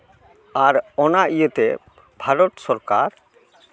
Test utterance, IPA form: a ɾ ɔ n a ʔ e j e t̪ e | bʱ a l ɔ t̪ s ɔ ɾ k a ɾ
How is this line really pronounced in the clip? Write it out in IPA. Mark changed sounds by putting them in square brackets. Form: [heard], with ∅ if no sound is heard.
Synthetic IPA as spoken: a ɾ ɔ n a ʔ [i] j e t̪ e | bʱ a [ɾ] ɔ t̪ s ɔ ɾ k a ɾ